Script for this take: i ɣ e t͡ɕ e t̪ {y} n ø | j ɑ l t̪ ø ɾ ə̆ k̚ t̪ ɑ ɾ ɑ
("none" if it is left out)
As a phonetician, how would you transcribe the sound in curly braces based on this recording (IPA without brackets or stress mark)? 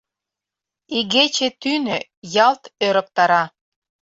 y